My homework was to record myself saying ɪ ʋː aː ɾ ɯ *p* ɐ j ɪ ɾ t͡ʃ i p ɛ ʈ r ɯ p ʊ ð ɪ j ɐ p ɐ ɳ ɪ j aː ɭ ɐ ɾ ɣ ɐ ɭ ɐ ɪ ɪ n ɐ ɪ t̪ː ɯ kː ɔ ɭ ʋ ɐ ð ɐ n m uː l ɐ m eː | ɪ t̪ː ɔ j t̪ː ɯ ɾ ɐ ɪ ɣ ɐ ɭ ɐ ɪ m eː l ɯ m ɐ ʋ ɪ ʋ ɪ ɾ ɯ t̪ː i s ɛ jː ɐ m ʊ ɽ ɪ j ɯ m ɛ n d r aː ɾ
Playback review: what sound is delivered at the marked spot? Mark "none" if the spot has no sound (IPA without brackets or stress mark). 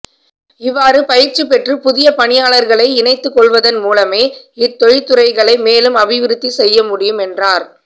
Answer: p